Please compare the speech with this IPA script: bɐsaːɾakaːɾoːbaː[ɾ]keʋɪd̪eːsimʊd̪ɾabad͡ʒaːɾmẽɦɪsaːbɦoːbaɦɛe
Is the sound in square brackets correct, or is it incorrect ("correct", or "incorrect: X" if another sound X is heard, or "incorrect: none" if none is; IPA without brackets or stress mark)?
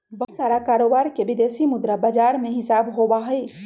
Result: correct